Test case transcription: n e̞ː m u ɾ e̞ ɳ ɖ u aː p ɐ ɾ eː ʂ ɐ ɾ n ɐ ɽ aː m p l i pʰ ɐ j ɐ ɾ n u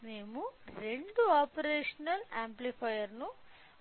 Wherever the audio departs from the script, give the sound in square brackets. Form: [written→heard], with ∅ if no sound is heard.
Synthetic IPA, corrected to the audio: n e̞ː m u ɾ e̞ ɳ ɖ u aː p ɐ ɾ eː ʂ ɐ [ɾ→∅] n ɐ [ɽ→l] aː m p l i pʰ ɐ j ɐ ɾ n u